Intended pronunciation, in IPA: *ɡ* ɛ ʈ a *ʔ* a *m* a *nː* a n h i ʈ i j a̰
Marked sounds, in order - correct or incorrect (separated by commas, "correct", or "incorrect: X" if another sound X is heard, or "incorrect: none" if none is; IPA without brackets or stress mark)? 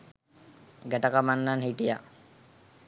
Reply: correct, incorrect: k, correct, correct